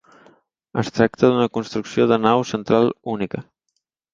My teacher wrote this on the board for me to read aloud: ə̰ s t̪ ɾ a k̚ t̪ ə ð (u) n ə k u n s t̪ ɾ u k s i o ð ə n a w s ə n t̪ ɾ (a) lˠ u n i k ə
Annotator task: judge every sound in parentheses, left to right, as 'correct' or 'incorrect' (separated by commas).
correct, correct